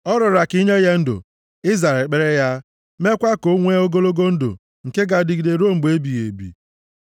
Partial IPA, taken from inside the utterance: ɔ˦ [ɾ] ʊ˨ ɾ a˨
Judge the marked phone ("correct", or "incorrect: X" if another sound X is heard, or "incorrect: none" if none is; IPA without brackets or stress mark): correct